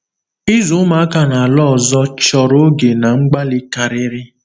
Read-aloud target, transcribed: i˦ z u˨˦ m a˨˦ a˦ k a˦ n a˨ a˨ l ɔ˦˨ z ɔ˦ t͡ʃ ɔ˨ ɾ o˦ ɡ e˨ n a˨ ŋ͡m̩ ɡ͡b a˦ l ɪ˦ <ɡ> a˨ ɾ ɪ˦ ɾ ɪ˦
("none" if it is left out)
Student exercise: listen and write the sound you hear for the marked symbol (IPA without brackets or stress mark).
k